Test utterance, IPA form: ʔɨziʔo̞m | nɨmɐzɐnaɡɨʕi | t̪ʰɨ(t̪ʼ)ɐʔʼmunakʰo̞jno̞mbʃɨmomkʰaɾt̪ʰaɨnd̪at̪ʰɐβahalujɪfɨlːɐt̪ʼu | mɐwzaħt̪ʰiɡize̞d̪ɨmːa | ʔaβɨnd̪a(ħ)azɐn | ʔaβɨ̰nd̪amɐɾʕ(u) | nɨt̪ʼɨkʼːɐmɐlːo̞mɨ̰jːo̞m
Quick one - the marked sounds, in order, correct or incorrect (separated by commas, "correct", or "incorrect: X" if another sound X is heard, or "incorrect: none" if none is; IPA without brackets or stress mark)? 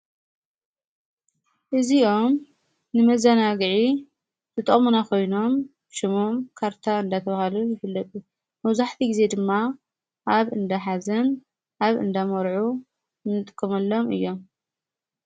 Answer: correct, correct, correct